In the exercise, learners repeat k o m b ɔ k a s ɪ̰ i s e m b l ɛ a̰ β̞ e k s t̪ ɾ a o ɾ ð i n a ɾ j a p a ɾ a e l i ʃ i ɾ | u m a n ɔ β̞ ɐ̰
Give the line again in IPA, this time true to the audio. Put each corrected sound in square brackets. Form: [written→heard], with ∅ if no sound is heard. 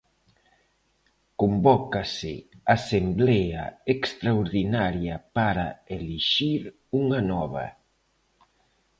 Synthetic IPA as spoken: k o m b ɔ k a s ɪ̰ [i→a] s e m b l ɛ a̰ [β̞→∅] e k s t̪ ɾ a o ɾ ð i n a ɾ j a p a ɾ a e l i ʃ i ɾ | u [m→ŋ] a n ɔ β̞ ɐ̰